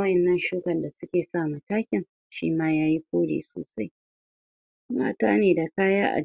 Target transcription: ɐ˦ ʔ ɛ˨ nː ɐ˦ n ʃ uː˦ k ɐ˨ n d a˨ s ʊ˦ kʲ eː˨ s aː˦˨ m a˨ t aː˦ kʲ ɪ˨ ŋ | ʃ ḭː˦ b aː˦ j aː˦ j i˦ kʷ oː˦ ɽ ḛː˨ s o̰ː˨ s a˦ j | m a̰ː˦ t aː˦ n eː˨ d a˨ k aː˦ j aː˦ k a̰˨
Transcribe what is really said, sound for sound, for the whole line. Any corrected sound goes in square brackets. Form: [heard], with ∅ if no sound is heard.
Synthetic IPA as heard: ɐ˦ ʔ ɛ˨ nː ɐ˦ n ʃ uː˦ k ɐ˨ n d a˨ s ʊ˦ kʲ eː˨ s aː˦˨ m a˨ t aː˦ kʲ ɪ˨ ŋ | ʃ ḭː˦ [m] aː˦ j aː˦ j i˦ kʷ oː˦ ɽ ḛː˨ s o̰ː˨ s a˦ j | m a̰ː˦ t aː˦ n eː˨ d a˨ k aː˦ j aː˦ [ʔ] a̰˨